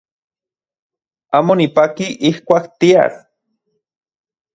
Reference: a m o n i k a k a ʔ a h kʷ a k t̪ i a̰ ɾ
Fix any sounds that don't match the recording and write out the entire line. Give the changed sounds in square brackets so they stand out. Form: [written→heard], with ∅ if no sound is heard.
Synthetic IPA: a m o n i [k→p] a k [a→i] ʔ [a→i] h kʷ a k t̪ i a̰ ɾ